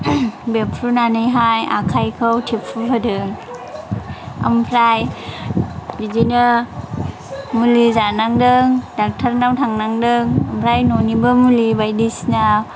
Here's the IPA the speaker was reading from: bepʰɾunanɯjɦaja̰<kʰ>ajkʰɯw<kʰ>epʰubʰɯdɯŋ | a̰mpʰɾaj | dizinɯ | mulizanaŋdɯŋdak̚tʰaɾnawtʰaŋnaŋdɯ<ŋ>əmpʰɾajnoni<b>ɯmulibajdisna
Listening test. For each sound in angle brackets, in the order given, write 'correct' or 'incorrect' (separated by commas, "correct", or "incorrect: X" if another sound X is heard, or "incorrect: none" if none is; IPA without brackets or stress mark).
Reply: correct, incorrect: tʰ, correct, correct